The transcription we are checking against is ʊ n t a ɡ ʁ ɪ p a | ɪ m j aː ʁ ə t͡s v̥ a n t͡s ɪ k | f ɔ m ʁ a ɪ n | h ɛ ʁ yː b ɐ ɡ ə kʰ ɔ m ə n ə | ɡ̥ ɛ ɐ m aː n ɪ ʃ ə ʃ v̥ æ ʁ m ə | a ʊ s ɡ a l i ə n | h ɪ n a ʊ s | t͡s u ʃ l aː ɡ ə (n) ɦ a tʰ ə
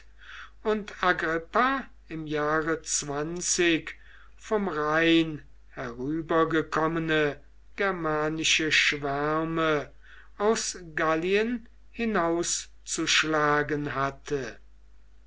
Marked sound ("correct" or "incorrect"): correct